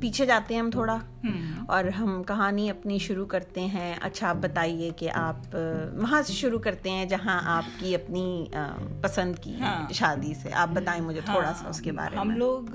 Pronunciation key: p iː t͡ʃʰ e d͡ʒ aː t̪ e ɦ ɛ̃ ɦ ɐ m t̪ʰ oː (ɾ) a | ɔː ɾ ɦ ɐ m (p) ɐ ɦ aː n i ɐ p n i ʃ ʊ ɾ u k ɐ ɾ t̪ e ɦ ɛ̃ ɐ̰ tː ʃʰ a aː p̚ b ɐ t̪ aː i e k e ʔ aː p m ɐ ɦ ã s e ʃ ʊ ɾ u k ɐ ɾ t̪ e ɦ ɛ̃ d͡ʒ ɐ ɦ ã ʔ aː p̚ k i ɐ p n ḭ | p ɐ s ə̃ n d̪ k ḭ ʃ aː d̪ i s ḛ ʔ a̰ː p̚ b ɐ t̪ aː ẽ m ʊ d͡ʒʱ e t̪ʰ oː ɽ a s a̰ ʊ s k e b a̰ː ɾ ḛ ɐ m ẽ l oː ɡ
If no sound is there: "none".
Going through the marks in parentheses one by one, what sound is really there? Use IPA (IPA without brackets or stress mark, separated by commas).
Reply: ɽ, k